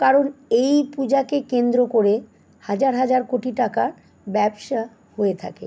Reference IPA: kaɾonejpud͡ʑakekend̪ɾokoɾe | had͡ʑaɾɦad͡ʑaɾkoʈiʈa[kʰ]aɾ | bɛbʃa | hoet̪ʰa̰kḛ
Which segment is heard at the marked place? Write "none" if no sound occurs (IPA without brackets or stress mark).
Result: k